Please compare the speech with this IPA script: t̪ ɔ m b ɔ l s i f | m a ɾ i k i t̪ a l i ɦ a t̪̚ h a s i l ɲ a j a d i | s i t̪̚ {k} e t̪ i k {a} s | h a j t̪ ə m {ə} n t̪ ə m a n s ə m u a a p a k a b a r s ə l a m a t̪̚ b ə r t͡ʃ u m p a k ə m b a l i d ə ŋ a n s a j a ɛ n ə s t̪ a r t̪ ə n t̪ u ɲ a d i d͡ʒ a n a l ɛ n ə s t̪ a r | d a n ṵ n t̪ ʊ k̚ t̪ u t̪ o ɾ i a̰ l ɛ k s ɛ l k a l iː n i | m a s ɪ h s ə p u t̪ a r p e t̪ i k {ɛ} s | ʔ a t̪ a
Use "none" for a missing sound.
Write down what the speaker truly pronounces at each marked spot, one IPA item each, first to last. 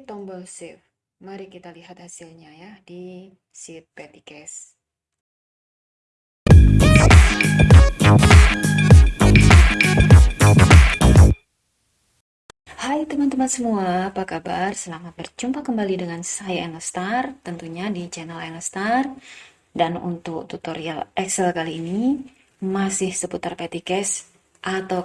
p, ɛ, a, ɛ

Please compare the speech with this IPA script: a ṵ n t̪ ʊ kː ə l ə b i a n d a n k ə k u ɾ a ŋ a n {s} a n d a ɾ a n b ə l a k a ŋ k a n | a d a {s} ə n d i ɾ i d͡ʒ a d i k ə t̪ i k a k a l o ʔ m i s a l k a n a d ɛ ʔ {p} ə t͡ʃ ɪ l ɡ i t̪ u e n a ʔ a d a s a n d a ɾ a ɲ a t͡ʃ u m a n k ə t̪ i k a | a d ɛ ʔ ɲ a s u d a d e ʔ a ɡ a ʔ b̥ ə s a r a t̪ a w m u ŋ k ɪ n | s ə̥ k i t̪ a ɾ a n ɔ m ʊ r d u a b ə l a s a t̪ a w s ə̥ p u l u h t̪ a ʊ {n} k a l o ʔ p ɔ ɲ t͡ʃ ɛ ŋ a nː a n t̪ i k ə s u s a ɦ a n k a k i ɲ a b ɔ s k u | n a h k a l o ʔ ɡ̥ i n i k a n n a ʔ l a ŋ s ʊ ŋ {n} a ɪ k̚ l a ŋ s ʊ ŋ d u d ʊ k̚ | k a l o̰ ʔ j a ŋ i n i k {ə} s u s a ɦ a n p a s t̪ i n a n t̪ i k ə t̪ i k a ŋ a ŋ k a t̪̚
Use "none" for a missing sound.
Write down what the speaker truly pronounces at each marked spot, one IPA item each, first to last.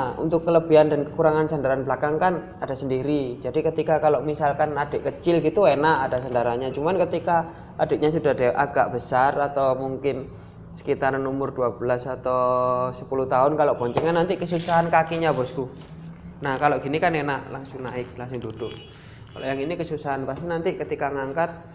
s, s, k, n, n, ə

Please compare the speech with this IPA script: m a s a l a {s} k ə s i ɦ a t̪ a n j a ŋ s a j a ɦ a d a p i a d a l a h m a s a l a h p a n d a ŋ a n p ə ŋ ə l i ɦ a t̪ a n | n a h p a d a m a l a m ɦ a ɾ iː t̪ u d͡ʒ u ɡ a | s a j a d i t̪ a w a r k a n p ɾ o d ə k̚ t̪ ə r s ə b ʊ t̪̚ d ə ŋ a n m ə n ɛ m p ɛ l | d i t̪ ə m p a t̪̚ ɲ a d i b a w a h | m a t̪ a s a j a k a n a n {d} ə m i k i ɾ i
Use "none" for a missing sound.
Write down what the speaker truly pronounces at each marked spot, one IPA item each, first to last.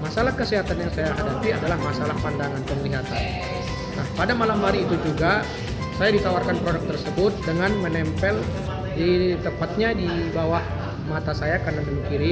h, d

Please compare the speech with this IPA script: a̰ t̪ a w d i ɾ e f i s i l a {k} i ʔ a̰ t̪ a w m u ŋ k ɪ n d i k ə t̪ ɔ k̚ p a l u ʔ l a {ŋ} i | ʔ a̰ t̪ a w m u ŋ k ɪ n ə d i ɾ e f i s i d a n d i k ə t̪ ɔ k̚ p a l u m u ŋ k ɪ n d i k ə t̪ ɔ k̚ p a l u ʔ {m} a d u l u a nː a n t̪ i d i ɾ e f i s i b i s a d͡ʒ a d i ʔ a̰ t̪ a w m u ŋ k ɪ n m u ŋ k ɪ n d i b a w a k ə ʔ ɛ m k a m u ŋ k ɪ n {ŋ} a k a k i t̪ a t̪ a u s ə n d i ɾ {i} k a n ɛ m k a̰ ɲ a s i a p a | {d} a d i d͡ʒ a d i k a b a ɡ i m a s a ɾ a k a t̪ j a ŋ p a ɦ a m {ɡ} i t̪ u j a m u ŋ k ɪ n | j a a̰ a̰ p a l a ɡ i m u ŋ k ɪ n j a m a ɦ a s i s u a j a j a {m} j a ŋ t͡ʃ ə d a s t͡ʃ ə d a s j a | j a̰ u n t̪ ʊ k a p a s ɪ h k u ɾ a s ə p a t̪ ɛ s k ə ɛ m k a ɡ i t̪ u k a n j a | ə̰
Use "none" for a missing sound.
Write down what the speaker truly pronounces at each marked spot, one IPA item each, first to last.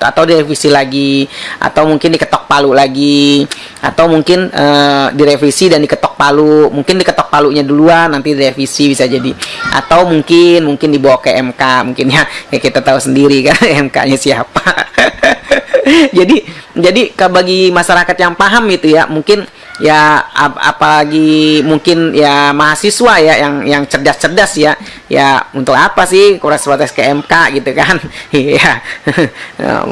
ɡ, ɡ, ɲ, ɲ, i, d͡ʒ, ɡ, ŋ

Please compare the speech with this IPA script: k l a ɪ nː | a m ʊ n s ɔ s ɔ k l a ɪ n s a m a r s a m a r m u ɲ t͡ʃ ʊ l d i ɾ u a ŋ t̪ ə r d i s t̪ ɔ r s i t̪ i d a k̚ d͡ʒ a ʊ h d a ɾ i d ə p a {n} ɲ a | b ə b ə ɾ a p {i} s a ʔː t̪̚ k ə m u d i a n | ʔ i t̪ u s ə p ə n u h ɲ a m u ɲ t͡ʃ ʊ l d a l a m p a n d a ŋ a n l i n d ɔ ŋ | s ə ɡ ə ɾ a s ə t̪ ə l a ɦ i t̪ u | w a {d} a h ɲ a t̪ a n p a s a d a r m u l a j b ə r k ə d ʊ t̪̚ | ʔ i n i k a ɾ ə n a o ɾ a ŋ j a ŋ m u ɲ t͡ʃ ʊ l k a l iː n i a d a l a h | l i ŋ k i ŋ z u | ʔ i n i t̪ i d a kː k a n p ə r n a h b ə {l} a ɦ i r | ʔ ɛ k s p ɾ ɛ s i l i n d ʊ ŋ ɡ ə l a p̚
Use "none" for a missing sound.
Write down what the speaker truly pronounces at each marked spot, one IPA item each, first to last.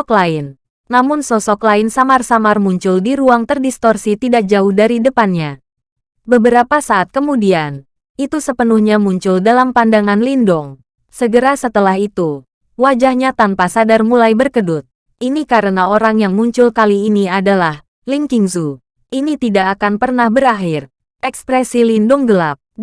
n, a, d͡ʒ, ɾ

